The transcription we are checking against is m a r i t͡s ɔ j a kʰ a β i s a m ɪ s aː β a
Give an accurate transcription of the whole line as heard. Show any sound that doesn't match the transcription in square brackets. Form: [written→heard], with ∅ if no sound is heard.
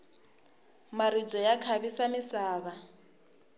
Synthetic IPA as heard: m a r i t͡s ɔ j a kʰ a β i s a m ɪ s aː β a